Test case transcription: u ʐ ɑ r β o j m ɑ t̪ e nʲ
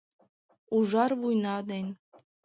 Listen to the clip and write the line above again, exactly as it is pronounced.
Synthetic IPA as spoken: u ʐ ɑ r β u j n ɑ d̪ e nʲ